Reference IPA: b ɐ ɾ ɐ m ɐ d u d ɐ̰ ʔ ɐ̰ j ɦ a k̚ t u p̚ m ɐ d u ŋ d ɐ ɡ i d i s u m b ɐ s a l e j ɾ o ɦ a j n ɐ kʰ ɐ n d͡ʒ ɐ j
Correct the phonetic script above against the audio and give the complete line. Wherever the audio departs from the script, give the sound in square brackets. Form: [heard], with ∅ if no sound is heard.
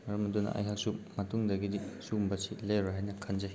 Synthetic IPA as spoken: [m] ɐ ɾ ɐ m ɐ d u [n] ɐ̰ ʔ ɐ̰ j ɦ a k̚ [s] u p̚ m ɐ [t] u ŋ d ɐ ɡ i d i s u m b ɐ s [i] l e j ɾ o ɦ a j n ɐ kʰ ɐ n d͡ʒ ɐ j